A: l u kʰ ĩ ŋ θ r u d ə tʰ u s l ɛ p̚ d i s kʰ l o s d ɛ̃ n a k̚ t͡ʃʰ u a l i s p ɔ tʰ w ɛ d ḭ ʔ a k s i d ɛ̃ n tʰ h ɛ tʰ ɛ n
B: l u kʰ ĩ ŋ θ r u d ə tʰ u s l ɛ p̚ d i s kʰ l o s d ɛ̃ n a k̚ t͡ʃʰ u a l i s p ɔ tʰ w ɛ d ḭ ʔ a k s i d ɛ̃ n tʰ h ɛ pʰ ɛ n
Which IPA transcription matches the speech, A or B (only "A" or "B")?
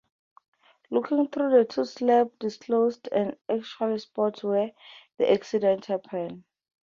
B